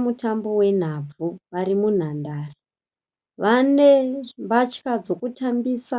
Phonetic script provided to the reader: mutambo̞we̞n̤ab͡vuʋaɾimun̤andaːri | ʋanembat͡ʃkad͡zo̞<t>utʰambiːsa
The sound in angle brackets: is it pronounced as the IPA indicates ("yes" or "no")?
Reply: no